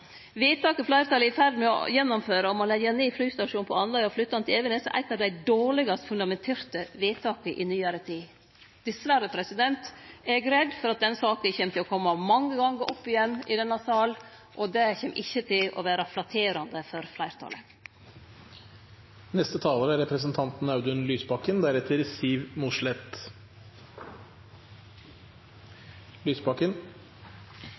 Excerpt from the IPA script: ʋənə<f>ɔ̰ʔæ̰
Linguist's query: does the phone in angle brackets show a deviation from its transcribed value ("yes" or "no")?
yes